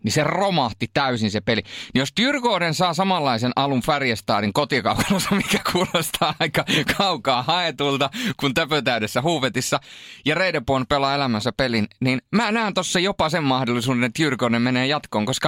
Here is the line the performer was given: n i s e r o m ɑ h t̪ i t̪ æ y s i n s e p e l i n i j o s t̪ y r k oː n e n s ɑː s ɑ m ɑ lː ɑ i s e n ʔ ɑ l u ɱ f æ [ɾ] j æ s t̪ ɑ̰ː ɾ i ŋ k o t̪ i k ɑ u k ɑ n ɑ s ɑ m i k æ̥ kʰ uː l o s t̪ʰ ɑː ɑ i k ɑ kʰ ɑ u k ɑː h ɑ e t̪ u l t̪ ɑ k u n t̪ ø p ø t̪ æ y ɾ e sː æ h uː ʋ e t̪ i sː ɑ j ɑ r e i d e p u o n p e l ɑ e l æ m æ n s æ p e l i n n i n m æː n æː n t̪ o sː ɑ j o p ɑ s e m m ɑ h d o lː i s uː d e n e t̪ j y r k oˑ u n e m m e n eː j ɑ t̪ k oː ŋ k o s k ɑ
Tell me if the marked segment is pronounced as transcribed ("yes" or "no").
no